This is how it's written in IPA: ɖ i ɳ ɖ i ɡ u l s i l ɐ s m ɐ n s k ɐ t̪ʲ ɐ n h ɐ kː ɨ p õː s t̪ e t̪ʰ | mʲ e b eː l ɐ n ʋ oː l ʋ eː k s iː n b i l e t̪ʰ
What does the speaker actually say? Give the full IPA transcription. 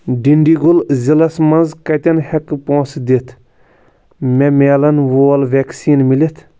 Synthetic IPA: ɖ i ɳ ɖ i ɡ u l z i l ɐ s m ɐ n z k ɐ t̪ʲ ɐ n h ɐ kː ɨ p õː s d̪ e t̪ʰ | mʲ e m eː l ɐ n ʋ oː l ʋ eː k s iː n m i l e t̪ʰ

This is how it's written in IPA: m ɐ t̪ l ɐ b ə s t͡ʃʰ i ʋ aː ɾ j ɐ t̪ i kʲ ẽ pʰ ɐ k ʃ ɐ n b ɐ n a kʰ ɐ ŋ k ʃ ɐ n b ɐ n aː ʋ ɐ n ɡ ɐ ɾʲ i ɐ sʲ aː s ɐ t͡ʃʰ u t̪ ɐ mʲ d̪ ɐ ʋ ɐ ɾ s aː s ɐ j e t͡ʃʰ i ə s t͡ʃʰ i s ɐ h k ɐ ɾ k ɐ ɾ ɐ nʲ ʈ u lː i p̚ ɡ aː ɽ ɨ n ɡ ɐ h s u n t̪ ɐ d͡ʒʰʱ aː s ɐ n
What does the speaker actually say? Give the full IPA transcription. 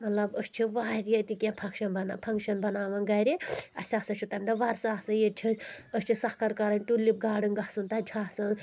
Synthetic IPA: m ɐ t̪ l ɐ b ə s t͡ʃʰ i ʋ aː ɾ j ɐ t̪ i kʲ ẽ pʰ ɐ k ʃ ɐ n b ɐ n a pʰ ɐ ŋ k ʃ ɐ n b ɐ n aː ʋ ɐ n ɡ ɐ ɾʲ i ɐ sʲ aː s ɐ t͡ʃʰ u t̪ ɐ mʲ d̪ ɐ ʋ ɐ ɾ s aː s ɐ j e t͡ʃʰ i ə s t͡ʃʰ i s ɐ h k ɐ ɾ k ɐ ɾ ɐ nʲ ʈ u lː i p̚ ɡ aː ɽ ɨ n ɡ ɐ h s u n t̪ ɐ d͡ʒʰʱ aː s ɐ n

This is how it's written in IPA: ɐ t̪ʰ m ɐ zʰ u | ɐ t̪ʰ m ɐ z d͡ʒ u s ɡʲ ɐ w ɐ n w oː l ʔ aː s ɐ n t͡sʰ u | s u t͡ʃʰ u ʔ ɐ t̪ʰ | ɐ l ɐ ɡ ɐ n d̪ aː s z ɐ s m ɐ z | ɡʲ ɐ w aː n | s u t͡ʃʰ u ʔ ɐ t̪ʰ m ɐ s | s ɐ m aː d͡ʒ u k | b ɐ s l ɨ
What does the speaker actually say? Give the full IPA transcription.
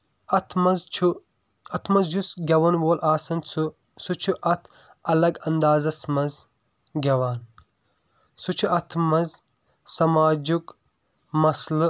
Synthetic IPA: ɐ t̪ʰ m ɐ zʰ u | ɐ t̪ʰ m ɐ z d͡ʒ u s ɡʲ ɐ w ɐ n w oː l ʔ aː s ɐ n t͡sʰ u | s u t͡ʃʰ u ʔ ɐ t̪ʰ | ɐ l ɐ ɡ ɐ n d̪ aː z ɐ s m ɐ z | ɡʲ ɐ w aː n | s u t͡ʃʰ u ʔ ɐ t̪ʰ m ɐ z | s ɐ m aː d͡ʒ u k | m ɐ s l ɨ

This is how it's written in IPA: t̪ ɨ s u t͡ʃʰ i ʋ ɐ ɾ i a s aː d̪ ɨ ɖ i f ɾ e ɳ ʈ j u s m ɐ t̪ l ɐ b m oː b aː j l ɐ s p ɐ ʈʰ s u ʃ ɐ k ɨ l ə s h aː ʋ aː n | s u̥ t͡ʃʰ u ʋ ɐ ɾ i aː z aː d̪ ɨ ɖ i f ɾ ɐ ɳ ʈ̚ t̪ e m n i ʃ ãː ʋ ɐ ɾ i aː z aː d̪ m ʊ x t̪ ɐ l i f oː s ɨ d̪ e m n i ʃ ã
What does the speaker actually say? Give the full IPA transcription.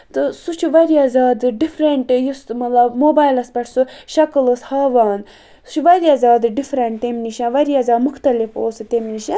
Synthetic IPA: t̪ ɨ s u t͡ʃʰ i ʋ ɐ ɾ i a z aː d̪ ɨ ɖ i f ɾ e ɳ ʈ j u s m ɐ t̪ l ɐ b m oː b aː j l ɐ s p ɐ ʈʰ s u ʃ ɐ k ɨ l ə s h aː ʋ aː n | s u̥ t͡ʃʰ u ʋ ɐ ɾ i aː z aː d̪ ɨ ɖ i f ɾ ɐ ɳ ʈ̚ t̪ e m n i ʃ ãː ʋ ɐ ɾ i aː z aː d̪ m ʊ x t̪ ɐ l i f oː s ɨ t̪ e m n i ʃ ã

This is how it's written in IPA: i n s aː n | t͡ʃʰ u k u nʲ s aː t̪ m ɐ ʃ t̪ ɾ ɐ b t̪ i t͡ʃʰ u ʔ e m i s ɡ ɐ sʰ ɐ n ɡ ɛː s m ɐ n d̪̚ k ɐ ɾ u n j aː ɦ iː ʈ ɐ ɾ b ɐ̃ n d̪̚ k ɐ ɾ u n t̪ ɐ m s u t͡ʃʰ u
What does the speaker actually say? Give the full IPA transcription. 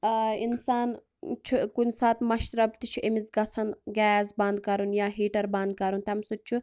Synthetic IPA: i n s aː n | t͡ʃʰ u k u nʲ s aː t̪ m ɐ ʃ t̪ ɾ ɐ b t̪ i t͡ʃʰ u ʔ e m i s ɡ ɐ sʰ ɐ n ɡ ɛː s b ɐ n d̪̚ k ɐ ɾ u n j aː ɦ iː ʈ ɐ ɾ b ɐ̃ n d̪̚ k ɐ ɾ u n t̪ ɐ m s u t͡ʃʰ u

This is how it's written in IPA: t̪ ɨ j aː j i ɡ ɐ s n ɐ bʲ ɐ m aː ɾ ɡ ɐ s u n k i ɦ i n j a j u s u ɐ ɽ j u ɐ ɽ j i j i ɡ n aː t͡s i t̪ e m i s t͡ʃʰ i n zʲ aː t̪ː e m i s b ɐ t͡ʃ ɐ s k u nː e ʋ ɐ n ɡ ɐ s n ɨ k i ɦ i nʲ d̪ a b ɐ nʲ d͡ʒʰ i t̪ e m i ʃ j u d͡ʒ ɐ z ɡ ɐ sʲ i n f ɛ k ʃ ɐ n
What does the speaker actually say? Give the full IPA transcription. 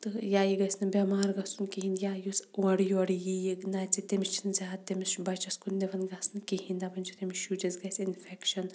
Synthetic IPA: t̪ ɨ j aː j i ɡ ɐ s n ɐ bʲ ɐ m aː ɾ ɡ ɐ s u n k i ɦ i n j a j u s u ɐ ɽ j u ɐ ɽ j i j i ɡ n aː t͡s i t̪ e m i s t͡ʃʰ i n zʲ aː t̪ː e m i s b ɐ t͡ʃ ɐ s k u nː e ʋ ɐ n ɡ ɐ s n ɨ k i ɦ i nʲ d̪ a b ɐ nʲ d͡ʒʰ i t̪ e m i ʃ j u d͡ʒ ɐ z ɡ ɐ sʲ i n f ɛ k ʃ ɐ n

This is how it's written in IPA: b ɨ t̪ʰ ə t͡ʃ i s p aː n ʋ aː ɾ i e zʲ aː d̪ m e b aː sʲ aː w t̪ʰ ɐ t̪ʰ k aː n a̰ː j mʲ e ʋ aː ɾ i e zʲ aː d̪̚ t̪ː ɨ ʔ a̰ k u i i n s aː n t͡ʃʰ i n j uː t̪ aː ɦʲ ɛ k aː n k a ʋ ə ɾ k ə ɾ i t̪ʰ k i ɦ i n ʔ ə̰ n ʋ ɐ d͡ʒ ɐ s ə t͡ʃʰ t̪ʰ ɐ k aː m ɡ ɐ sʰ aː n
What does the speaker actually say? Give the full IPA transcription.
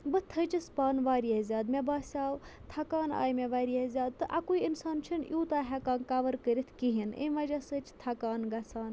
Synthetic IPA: b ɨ t̪ʰ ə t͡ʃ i s p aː n ʋ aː ɾ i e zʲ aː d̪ m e b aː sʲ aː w t̪ʰ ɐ k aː n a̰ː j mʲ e ʋ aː ɾ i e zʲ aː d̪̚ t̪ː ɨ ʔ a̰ k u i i n s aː n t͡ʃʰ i n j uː t̪ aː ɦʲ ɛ k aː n k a ʋ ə ɾ k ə ɾ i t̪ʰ k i ɦ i n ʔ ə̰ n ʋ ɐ d͡ʒ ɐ s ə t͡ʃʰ t̪ʰ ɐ k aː n ɡ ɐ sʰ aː n

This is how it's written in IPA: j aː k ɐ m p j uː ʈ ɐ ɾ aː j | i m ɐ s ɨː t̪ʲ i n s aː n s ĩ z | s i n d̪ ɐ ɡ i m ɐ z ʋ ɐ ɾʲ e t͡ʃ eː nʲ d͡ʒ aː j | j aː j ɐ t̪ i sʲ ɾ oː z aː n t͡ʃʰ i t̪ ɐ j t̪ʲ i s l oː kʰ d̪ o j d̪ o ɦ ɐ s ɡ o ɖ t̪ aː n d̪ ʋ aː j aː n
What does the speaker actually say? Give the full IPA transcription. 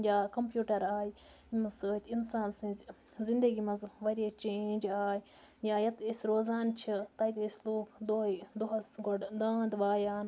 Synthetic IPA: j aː k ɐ m p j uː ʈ ɐ ɾ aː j | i m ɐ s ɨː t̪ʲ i n s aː n s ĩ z | z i n d̪ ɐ ɡ i m ɐ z ʋ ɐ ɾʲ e t͡ʃ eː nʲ d͡ʒ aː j | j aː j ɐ t̪ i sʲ ɾ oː z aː n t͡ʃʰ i t̪ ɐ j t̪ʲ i s l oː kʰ d̪ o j d̪ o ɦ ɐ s ɡ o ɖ d̪ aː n d̪ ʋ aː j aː n

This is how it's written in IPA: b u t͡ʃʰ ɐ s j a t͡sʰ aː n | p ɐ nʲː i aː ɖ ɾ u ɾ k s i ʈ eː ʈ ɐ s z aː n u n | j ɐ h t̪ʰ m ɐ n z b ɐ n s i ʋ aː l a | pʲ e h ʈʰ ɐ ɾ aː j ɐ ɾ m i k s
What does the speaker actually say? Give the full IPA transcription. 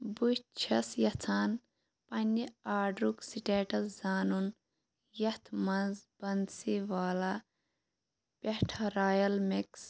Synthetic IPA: b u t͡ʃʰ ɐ s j ɐ t͡sʰ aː n | p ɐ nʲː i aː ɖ ɾ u k s i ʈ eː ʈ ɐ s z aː n u n | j ɐ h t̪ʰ m ɐ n z b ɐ n s i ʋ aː l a | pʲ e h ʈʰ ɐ ɾ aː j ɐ l m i k s

